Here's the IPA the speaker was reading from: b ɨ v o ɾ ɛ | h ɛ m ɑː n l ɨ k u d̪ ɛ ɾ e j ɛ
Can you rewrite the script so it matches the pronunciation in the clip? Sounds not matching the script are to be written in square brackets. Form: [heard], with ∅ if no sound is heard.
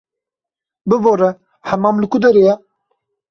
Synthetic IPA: b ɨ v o ɾ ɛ | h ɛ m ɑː [m] l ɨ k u d̪ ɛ ɾ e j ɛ